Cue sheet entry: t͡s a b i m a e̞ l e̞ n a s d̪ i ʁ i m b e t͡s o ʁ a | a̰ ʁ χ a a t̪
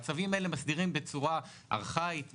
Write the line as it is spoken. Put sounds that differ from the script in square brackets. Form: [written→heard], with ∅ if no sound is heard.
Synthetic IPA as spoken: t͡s a [b→v] i m a e̞ l e̞ [n→m] a s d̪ i ʁ i m b e t͡s [o→u] ʁ a | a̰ ʁ χ a [a→i] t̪